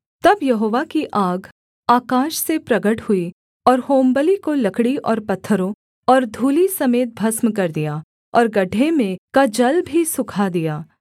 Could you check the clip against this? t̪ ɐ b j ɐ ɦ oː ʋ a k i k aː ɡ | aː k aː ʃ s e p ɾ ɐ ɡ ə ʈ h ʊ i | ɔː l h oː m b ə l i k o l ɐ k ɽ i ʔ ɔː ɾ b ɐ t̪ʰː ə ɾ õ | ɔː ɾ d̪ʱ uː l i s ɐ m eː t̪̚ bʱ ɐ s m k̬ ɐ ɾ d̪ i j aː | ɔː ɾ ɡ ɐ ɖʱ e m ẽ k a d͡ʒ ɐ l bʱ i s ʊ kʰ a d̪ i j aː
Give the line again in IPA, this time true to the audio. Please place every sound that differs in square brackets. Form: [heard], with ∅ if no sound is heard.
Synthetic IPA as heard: t̪ ɐ b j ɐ ɦ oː ʋ a k i [ʔ] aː ɡ | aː k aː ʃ s e p ɾ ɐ ɡ ə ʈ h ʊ i | ɔː [ɾ] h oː m b ə l i k o l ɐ k ɽ i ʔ ɔː ɾ [p] ɐ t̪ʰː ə ɾ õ | ɔː ɾ d̪ʱ uː l i s ɐ m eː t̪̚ bʱ ɐ s m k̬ ɐ ɾ d̪ i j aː | ɔː ɾ ɡ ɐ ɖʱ e m ẽ k a d͡ʒ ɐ l bʱ i s ʊ kʰ a d̪ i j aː

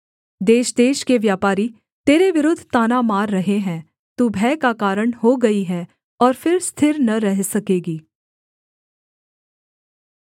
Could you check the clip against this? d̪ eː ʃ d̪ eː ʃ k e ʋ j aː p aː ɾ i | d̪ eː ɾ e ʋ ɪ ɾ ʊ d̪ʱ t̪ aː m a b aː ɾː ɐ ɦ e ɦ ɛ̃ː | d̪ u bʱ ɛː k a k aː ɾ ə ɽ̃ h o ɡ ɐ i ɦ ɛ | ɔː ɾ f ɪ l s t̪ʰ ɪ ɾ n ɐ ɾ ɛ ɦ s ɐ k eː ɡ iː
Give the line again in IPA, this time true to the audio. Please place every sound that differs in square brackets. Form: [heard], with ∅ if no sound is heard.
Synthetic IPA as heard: d̪ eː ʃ d̪ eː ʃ k e ʋ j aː p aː ɾ i | [t̪] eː ɾ e ʋ ɪ ɾ ʊ d̪ʱ t̪ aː [n] a [m] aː ɾː ɐ ɦ e ɦ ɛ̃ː | [t̪] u bʱ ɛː k a k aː ɾ ə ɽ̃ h o ɡ ɐ i ɦ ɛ | ɔː ɾ f ɪ [ɾ] s t̪ʰ ɪ ɾ n ɐ ɾ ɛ ɦ s ɐ k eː ɡ iː

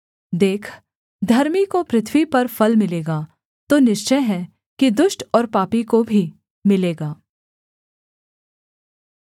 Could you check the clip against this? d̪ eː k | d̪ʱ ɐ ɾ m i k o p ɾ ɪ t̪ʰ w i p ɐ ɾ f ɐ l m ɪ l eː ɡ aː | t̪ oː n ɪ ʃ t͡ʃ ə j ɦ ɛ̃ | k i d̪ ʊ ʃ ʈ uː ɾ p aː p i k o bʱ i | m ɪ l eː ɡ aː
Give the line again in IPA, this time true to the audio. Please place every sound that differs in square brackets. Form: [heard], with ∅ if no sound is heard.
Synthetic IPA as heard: d̪ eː [kʰ] | d̪ʱ ɐ ɾ m i k o p ɾ ɪ t̪ʰ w i p ɐ ɾ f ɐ l m ɪ l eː ɡ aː | t̪ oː n ɪ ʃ t͡ʃ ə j ɦ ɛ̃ | k i d̪ ʊ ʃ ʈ [ɔː] ɾ p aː p i k o bʱ i | m ɪ l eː ɡ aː

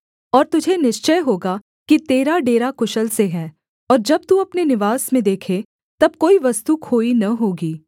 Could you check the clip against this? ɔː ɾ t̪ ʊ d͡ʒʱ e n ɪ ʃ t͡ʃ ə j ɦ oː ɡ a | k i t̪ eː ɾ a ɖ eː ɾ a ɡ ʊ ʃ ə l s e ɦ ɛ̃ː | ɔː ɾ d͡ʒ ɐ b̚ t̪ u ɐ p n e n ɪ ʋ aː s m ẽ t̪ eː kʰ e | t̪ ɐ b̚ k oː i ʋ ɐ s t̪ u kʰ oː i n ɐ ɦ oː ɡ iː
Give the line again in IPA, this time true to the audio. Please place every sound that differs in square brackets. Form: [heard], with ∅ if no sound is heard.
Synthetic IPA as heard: ɔː ɾ t̪ ʊ d͡ʒʱ e n ɪ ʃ t͡ʃ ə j ɦ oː ɡ a | k i t̪ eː ɾ a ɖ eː ɾ a [k] ʊ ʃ ə l s e ɦ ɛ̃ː | ɔː ɾ d͡ʒ ɐ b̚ t̪ u ɐ p n e n ɪ ʋ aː s m ẽ [d̪] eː kʰ e | t̪ ɐ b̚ k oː i ʋ ɐ s t̪ u kʰ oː i n ɐ ɦ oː ɡ iː

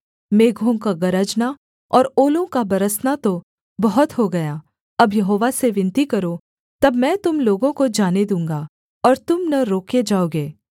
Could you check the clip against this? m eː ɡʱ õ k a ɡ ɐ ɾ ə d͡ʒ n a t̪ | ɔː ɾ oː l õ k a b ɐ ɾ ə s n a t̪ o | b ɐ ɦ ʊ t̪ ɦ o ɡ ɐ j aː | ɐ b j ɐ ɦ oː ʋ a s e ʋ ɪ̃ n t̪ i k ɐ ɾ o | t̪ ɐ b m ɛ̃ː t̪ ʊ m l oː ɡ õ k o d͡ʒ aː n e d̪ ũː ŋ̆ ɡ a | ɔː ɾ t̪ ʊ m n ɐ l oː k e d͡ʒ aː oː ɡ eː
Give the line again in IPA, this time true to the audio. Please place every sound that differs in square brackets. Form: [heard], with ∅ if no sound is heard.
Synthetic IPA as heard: m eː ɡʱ õ k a ɡ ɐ ɾ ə d͡ʒ n a [∅] | ɔː ɾ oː l õ k a b ɐ ɾ ə s n a t̪ o | b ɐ ɦ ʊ t̪ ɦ o ɡ ɐ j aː | ɐ b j ɐ ɦ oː ʋ a s e ʋ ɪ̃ n t̪ i k ɐ ɾ o | t̪ ɐ b m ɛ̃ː t̪ ʊ m l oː ɡ õ k o d͡ʒ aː n e d̪ ũː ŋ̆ ɡ a | ɔː ɾ t̪ ʊ m n ɐ [ɾ] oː k e d͡ʒ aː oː ɡ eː

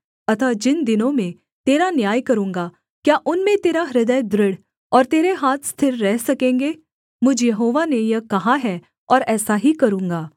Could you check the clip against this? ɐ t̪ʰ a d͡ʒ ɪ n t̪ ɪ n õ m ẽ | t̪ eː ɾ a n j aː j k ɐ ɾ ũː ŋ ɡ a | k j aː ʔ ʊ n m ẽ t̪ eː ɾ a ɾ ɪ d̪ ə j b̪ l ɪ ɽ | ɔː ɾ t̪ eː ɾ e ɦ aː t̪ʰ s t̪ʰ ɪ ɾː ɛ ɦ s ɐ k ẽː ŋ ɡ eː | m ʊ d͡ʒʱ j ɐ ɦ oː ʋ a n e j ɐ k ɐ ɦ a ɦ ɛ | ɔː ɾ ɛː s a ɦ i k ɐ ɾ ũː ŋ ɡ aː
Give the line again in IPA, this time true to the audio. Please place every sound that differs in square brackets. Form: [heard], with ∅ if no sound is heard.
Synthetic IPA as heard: ɐ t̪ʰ a d͡ʒ ɪ n [d̪] ɪ n õ m ẽ | t̪ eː ɾ a n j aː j k ɐ ɾ ũː ŋ ɡ a | k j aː ʔ ʊ n m ẽ t̪ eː ɾ a ɾ ɪ d̪ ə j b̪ [ɾ] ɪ ɽ | ɔː ɾ t̪ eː ɾ e ɦ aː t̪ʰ s t̪ʰ ɪ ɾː ɛ ɦ s ɐ k ẽː ŋ ɡ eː | m ʊ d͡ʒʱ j ɐ ɦ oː ʋ a n e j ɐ k ɐ ɦ a ɦ ɛ | ɔː ɾ ɛː s a ɦ i k ɐ ɾ ũː ŋ ɡ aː

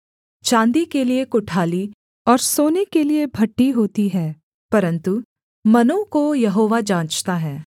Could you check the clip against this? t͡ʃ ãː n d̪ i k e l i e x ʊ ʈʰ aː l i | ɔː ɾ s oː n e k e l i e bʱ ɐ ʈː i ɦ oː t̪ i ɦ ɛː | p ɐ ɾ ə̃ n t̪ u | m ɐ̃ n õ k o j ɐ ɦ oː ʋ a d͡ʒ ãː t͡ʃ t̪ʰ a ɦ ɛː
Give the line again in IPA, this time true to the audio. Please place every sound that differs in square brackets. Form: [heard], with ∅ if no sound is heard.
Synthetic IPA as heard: t͡ʃ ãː n d̪ i k e l i e [k] ʊ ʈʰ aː l i | ɔː ɾ s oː n e k e l i e bʱ ɐ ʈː i ɦ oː t̪ i ɦ ɛː | p ɐ ɾ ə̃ n t̪ u | m [ɐ] n õ k o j ɐ ɦ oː ʋ a d͡ʒ ãː t͡ʃ [t̪] a ɦ ɛː

